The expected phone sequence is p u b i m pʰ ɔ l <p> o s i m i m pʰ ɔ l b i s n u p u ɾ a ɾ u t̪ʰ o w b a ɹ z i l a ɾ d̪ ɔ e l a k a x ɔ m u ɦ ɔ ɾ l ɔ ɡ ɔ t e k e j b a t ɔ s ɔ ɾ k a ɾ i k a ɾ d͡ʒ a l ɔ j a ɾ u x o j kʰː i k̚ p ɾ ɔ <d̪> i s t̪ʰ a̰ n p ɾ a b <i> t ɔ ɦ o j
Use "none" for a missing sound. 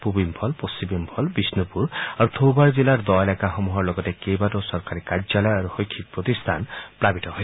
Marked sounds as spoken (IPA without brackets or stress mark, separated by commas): p, t̪, i